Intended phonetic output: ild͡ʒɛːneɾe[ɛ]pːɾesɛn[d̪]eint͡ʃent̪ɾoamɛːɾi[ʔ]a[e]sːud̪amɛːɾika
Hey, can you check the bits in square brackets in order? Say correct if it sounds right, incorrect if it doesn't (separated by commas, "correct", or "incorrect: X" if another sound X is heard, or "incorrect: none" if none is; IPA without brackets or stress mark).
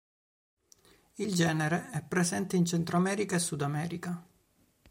correct, incorrect: t̪, incorrect: k, correct